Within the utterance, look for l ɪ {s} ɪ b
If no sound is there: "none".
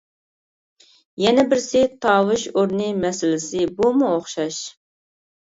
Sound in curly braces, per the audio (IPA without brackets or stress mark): s